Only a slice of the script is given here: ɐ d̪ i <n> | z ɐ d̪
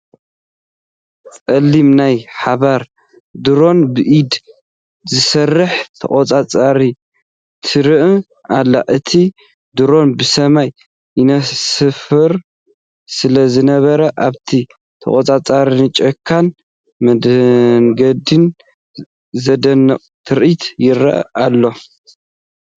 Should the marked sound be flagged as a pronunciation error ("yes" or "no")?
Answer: no